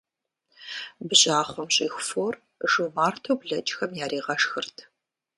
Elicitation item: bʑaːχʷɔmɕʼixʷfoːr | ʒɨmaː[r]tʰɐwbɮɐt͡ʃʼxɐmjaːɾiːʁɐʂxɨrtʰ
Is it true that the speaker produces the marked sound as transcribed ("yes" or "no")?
yes